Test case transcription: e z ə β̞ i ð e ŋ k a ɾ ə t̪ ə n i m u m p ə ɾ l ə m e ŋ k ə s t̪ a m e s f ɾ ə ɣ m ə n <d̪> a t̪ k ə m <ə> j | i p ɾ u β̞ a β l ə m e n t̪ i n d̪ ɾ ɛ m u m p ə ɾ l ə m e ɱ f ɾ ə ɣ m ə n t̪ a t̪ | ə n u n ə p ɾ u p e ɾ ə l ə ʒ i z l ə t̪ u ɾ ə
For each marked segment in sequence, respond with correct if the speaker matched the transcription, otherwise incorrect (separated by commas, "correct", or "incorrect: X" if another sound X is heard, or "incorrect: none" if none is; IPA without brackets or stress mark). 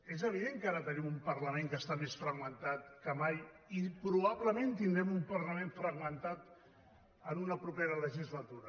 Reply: incorrect: t̪, incorrect: a